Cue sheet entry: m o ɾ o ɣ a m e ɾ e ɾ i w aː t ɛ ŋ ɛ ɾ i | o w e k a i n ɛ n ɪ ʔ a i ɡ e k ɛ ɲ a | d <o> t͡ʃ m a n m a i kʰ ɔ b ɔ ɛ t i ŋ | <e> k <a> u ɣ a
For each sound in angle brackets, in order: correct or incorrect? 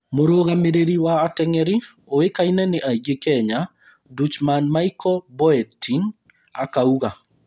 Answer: incorrect: u, incorrect: a, correct

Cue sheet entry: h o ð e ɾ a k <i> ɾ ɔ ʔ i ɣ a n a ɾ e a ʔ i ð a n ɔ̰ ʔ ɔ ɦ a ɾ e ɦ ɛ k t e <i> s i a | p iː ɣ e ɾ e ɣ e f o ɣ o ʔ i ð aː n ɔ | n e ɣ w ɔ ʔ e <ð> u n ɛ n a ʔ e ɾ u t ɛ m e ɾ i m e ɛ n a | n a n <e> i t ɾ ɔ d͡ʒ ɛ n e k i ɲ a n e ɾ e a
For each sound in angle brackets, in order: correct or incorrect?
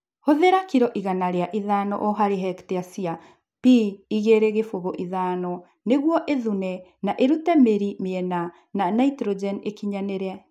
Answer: correct, incorrect: a, correct, incorrect: a

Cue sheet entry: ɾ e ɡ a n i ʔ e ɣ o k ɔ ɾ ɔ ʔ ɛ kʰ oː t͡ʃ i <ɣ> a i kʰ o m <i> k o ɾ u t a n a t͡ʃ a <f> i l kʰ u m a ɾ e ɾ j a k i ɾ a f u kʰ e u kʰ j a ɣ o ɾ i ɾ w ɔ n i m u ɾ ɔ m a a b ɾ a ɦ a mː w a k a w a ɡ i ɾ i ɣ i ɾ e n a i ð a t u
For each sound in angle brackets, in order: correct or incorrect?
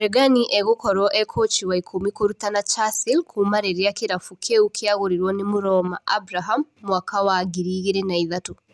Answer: incorrect: w, correct, incorrect: s

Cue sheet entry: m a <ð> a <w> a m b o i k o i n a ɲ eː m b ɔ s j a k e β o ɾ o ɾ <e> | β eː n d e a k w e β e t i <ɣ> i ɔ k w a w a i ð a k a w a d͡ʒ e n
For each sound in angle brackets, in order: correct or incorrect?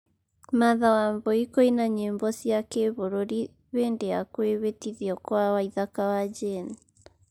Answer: correct, correct, incorrect: i, incorrect: ð

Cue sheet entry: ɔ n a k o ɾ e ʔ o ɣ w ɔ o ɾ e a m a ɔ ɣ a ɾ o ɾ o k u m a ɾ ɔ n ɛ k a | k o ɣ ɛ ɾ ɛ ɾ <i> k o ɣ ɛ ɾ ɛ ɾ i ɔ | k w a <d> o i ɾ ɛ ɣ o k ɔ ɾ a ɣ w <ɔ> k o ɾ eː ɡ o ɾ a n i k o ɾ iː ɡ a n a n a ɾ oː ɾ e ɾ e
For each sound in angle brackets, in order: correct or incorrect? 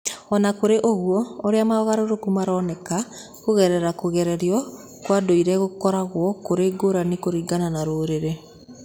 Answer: incorrect: a, correct, correct

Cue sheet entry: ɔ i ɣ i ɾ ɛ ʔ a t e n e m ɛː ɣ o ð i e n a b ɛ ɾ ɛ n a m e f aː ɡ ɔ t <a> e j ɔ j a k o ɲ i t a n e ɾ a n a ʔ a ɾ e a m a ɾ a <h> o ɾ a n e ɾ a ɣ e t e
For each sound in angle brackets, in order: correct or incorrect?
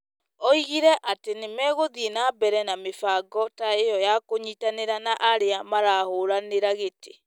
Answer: correct, correct

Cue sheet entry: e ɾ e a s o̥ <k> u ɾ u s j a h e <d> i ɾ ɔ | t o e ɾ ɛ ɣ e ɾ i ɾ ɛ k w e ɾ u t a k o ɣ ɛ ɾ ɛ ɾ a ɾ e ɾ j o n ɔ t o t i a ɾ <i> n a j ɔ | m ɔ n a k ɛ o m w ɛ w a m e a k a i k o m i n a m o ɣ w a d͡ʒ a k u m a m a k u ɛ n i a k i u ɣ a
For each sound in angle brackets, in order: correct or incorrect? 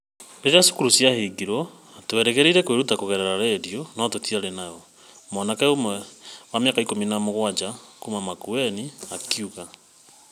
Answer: correct, incorrect: ɡ, incorrect: e

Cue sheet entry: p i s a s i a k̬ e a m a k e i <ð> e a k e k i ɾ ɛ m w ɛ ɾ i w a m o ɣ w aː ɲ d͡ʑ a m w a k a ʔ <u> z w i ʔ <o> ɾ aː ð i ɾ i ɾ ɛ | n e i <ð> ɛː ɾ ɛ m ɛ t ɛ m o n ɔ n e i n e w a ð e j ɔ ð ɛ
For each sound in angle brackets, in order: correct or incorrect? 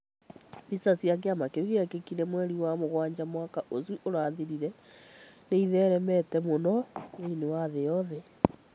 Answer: incorrect: ɣ, incorrect: o, correct, correct

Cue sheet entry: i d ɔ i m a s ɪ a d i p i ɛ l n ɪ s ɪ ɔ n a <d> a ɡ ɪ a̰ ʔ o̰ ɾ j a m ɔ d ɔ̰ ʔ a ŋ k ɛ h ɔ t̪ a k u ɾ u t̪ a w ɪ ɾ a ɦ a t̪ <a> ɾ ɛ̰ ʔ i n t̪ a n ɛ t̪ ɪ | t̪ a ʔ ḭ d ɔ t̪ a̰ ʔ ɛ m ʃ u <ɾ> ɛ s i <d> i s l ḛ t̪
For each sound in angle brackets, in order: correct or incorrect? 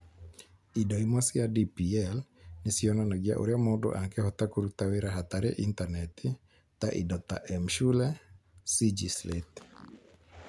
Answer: incorrect: n, correct, incorrect: l, incorrect: d͡ʒ

